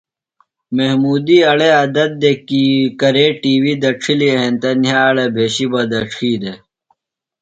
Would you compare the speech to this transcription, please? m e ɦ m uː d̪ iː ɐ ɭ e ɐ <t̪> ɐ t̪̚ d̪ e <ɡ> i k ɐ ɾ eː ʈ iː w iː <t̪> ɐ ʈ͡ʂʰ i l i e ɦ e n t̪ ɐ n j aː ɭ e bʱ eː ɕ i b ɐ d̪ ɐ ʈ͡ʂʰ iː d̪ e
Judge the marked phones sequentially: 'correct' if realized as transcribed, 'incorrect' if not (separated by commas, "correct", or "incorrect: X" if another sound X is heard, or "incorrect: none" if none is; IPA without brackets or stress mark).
incorrect: d̪, incorrect: k, incorrect: d̪